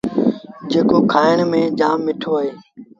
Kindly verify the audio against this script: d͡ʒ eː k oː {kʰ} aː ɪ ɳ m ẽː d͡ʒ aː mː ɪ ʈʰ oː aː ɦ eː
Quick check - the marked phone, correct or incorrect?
correct